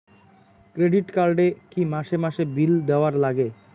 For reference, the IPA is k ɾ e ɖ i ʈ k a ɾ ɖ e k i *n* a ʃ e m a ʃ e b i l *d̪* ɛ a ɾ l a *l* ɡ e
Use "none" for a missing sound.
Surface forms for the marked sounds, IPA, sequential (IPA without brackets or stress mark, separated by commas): m, d̪, none